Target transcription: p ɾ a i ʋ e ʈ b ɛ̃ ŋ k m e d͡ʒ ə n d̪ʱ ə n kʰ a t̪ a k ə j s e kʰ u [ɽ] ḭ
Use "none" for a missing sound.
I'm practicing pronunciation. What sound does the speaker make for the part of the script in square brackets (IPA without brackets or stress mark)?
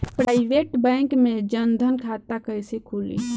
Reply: l